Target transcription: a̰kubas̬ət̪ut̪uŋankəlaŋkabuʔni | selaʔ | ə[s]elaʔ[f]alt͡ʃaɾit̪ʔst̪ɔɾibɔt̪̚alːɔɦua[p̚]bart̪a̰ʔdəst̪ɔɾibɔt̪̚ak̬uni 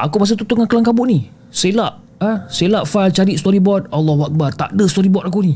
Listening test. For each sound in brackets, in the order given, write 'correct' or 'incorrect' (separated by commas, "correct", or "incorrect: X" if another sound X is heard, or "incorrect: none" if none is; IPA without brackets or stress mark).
correct, correct, incorrect: k̚